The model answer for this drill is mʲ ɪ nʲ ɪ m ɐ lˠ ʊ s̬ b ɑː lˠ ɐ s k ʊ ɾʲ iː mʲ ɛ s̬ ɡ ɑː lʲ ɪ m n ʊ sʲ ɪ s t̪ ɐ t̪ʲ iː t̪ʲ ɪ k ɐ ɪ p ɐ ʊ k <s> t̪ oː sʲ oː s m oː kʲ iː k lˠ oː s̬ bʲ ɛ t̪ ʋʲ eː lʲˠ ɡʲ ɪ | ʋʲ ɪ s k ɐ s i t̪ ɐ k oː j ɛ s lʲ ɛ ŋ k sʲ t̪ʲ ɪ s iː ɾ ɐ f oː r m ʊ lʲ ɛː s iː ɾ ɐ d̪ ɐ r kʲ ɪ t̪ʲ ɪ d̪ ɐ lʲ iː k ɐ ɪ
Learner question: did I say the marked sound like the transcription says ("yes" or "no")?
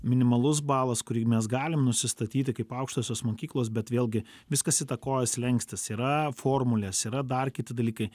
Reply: no